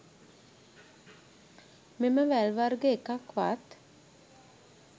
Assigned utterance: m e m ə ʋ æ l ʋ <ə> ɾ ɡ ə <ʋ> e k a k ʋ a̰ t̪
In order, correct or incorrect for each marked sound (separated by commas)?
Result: incorrect, incorrect